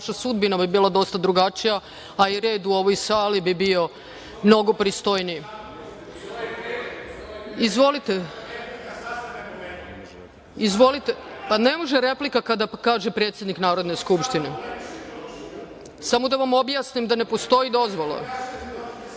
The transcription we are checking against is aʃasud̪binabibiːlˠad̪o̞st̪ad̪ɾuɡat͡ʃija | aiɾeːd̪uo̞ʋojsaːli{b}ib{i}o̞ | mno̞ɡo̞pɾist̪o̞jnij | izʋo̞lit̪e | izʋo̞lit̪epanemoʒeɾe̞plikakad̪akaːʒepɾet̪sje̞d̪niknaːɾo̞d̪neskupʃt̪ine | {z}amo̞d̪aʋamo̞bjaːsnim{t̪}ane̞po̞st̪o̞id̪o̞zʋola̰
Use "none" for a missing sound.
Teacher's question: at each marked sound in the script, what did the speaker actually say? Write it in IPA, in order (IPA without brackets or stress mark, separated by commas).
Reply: b, i, s, d̪